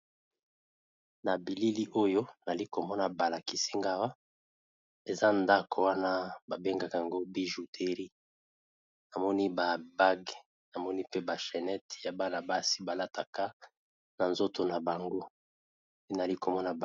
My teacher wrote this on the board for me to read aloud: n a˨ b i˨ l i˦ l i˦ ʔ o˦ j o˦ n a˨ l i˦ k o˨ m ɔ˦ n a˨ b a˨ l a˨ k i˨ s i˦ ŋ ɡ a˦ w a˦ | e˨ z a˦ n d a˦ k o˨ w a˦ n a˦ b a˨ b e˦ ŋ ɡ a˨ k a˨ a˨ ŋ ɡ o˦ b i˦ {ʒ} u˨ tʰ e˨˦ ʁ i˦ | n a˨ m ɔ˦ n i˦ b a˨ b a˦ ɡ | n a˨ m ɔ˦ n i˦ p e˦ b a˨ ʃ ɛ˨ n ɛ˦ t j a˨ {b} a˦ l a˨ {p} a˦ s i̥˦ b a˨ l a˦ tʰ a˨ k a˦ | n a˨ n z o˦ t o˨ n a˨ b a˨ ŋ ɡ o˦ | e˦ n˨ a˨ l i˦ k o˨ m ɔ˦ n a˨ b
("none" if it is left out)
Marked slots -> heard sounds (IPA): ʒ, b, b

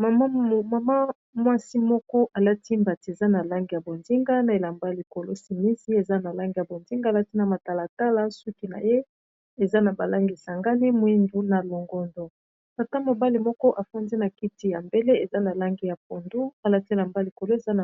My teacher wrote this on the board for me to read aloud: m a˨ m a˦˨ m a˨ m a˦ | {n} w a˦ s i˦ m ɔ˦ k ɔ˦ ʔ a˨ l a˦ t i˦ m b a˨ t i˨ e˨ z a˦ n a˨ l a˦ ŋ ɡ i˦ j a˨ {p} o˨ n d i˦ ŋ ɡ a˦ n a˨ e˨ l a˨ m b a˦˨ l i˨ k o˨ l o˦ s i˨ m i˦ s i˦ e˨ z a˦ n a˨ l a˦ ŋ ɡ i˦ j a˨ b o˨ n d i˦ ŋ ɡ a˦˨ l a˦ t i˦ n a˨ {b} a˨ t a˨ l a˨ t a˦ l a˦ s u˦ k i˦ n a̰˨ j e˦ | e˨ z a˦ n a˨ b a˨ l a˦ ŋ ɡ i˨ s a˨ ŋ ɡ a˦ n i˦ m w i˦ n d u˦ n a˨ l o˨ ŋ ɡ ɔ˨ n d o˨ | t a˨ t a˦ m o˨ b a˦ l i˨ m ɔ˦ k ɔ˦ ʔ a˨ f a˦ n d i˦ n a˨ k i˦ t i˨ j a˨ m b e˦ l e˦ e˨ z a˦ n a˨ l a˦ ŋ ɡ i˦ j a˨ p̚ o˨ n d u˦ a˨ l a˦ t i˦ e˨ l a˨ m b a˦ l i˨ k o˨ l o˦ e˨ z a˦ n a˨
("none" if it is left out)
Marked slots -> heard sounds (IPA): m, b, m

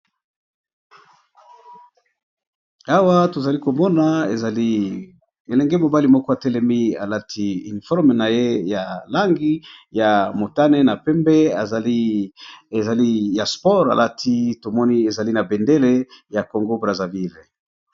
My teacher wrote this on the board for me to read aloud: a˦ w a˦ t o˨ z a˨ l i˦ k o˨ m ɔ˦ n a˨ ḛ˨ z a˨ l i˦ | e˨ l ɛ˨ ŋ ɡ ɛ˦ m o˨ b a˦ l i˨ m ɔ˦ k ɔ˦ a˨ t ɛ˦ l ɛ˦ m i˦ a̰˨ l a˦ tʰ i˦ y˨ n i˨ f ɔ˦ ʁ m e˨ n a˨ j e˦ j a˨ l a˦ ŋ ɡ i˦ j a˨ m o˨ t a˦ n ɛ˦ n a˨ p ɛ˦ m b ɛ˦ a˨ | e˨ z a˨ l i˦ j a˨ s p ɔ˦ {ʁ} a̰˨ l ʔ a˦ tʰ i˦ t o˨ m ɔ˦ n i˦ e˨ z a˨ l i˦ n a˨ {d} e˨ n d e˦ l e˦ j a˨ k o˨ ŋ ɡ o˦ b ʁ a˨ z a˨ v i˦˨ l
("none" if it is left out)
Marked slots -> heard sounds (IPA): ʁ, b

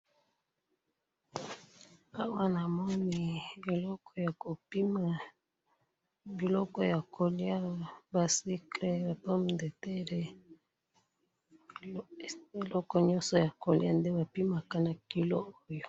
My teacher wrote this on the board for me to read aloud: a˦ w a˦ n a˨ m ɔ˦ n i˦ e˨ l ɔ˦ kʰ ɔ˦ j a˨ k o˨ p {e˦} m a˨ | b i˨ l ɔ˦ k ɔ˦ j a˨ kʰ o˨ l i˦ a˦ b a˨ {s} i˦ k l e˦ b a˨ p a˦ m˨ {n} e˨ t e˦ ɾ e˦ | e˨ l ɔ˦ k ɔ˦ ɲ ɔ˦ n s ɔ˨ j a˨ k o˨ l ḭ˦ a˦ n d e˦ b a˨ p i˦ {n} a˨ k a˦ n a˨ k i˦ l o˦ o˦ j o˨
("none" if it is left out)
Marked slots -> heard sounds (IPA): i˦, s, d, m

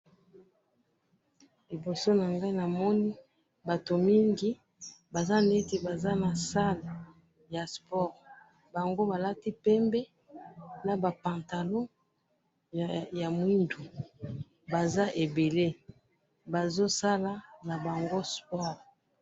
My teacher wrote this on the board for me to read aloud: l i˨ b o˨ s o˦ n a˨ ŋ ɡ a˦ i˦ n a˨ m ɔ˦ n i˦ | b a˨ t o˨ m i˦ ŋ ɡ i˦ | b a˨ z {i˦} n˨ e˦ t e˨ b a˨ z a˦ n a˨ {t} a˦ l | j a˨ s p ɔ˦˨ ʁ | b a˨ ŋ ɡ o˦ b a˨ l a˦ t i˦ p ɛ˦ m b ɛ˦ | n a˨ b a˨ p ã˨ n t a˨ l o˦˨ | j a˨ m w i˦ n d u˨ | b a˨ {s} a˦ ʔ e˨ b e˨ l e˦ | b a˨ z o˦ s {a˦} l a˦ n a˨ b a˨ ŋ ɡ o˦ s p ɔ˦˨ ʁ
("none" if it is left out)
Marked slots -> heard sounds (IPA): a˦, s, z, a˦

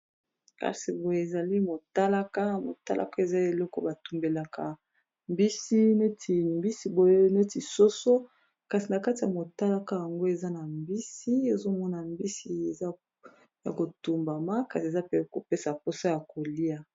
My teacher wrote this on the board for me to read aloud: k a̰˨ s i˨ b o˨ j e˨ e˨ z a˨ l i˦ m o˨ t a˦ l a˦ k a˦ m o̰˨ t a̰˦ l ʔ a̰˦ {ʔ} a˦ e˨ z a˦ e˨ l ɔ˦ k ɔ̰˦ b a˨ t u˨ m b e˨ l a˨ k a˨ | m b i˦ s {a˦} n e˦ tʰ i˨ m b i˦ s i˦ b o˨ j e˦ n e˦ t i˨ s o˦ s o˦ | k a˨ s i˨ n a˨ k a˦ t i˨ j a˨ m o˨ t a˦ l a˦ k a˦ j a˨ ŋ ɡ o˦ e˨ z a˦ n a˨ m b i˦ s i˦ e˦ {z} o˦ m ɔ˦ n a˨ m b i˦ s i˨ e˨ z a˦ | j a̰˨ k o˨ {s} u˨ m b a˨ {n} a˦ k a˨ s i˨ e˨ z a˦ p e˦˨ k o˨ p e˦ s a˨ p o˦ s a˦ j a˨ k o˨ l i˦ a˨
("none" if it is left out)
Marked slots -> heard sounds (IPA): k, i˦, z, t, m

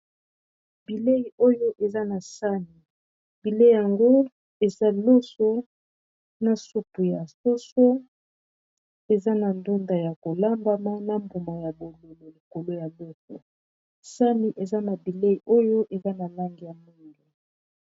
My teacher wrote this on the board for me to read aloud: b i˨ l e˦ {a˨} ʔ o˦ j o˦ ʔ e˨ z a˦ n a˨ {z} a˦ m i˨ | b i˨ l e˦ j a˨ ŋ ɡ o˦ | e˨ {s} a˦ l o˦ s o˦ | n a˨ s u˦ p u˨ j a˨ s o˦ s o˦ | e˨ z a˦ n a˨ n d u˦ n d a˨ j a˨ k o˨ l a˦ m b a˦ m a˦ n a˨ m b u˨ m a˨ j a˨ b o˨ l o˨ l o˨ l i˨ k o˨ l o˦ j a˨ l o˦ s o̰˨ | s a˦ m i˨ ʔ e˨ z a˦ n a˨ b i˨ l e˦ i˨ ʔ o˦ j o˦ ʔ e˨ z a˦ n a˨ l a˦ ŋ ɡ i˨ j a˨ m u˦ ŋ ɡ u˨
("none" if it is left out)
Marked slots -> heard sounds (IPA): i˨, s, z

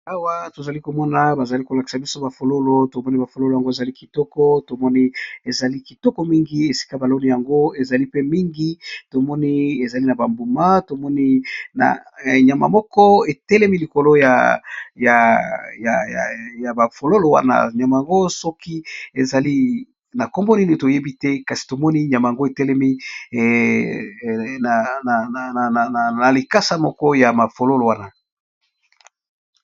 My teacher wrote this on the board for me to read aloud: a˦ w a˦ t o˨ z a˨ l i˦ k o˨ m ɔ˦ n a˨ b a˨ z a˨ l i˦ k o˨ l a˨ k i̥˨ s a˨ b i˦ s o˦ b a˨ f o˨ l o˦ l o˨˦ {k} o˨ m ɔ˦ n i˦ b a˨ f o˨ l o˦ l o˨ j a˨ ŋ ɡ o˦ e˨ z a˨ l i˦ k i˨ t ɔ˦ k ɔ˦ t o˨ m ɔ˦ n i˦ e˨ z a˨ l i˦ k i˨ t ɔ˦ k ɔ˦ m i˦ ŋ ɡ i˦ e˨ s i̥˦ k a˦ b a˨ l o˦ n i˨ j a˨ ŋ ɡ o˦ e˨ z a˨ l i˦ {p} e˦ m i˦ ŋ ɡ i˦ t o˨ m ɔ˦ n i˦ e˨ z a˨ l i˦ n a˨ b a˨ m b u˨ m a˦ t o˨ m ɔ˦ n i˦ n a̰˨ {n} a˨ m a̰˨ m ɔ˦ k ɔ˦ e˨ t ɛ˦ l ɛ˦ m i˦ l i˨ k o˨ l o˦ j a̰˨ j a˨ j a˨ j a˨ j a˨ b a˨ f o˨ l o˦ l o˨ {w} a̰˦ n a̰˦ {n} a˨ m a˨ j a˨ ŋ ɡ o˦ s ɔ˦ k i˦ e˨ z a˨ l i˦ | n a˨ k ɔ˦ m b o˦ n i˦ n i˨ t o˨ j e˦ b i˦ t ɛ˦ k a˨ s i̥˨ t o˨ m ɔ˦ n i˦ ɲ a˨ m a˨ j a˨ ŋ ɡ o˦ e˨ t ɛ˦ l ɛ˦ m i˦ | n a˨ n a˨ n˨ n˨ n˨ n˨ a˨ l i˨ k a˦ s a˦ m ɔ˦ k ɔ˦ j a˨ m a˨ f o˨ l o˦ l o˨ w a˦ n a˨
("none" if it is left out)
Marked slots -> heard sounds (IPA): t, p, ɲ, w, ɲ

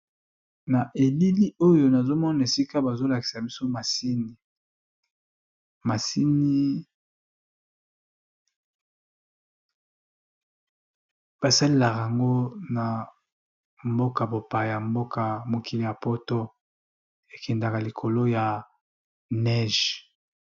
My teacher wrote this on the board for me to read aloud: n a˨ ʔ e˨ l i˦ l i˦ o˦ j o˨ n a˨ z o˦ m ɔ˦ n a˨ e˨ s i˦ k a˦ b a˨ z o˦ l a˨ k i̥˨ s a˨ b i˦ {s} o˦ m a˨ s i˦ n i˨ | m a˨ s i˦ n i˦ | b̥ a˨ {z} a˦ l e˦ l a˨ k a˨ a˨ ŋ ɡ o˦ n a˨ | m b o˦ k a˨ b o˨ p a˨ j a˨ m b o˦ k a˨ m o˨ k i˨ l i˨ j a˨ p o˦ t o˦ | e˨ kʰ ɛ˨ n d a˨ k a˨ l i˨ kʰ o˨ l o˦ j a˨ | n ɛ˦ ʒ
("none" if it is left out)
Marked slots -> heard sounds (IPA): s, s

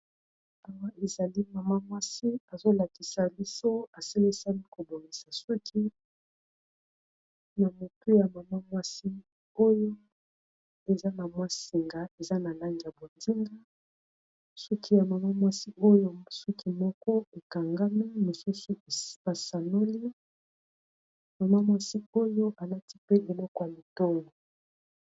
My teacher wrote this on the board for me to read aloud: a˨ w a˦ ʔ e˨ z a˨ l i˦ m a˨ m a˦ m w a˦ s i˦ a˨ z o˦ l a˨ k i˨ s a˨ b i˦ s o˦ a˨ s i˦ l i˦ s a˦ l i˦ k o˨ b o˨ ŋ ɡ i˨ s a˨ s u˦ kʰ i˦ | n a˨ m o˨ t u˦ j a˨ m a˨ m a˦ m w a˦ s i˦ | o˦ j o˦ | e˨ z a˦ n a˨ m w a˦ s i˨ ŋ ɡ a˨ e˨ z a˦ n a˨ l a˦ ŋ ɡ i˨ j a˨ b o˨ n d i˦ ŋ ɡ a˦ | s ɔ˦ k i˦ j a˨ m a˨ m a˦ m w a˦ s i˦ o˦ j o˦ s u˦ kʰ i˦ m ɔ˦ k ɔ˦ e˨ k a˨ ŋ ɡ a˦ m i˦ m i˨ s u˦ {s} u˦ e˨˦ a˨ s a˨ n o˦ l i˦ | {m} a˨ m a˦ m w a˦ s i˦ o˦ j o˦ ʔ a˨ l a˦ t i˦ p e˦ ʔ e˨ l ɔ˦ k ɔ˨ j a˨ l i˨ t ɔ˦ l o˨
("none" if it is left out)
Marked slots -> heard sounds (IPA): s, m

